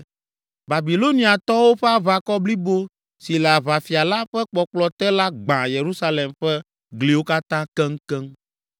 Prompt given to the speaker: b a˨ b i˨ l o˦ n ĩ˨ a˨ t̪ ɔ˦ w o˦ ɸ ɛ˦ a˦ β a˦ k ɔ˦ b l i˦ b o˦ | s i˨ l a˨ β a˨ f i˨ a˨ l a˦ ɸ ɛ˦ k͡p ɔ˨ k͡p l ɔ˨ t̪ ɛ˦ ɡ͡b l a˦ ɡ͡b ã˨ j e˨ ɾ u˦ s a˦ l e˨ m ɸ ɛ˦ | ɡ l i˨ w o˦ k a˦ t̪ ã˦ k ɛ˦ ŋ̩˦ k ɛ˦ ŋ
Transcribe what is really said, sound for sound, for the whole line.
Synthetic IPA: b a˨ b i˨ l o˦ n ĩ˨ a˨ t̪ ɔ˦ w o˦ ɸ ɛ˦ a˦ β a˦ k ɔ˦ b l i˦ b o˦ | s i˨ l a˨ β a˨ f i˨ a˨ l a˦ ɸ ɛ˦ k͡p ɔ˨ k͡p l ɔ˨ t̪ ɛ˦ l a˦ ɡ͡b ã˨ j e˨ ɾ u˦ s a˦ l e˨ m ɸ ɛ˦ | ɡ l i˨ w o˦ k a˦ t̪ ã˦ k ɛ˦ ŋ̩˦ k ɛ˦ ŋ